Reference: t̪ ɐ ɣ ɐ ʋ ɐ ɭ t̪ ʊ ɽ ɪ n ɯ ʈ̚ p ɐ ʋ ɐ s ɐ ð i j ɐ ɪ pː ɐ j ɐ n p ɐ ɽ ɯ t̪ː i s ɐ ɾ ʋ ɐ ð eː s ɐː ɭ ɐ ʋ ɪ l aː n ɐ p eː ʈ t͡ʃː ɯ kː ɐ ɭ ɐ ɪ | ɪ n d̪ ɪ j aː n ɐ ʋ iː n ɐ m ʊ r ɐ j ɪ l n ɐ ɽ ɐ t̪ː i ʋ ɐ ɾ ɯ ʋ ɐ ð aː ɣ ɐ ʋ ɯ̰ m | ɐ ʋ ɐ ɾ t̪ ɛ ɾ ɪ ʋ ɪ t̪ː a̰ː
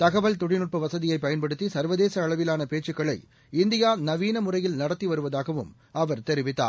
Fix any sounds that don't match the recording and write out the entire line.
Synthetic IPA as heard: t̪ ɐ ɣ ɐ ʋ ɐ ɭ t̪ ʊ ɽ ɪ n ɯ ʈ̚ p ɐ ʋ ɐ s ɐ ð ɪ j ɐ ɪ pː ɐ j ɐ n p ɐ ɽ ɯ t̪ː i s ɐ ɾ ʋ ɐ ð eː s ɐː ɭ ɐ ʋ ɪ l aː n ɐ p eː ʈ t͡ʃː ɯ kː ɐ ɭ ɐ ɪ | ɪ n d̪ ɪ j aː n ɐ ʋ iː n ɐ m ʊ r ɐ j ɪ l n ɐ ɽ ɐ t̪ː i ʋ ɐ ɾ ɯ ʋ ɐ ð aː ɣ ɐ ʋ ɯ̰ m | ɐ ʋ ɐ ɾ t̪ ɛ ɾ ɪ ʋ ɪ t̪ː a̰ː

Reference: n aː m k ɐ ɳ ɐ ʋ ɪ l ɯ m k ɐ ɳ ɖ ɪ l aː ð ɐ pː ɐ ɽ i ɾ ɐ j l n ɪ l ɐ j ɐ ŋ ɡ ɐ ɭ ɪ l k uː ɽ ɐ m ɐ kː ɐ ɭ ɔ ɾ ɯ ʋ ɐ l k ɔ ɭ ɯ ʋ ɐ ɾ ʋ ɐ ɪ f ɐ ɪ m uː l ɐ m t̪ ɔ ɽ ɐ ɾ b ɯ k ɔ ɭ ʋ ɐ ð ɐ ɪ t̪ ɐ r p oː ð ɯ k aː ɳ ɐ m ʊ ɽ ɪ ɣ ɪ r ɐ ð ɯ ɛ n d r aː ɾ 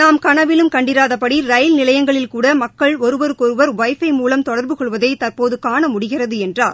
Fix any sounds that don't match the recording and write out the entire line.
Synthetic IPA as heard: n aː m k ɐ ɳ ɐ ʋ ɪ l ɯ m k ɐ ɳ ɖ ɪ ɾ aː ð ɐ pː ɐ ɽ i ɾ ɐ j l n ɪ l ɐ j ɐ ŋ ɡ ɐ ɭ ɪ l k uː ɽ ɐ m ɐ kː ɐ ɭ ɔ ɾ ɯ ʋ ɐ ɾ k ɔ ɾ ɯ ʋ ɐ ɾ ʋ ɐ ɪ f ɐ ɪ m uː l ɐ m t̪ ɔ ɽ ɐ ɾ b ɯ k ɔ ɭ ʋ ɐ ð ɐ ɪ t̪ ɐ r p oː ð ɯ k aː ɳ ɐ m ʊ ɽ ɪ ɣ ɪ r ɐ ð ɯ ɛ n d r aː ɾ

